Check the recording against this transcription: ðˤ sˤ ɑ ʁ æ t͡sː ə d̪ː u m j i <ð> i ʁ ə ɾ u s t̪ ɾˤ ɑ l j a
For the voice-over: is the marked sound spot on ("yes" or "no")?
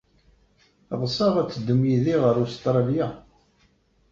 yes